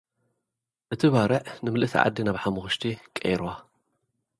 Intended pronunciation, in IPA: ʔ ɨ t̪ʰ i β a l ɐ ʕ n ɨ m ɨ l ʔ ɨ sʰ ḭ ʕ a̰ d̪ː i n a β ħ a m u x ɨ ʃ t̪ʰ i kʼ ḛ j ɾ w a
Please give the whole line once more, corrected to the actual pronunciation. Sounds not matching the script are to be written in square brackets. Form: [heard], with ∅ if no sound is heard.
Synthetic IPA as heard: ʔ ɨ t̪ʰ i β a [ɾ] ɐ ʕ n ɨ m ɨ l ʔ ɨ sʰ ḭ ʕ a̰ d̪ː i n a β ħ a m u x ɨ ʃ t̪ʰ i kʼ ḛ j ɾ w a